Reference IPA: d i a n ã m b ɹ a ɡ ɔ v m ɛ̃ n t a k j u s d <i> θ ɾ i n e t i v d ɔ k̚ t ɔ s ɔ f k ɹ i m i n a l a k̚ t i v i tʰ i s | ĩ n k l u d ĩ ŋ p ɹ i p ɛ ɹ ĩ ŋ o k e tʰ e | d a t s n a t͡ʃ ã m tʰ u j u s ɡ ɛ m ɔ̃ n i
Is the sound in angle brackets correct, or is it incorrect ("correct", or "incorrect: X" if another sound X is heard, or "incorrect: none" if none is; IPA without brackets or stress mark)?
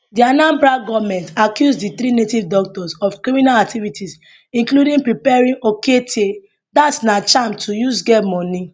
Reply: correct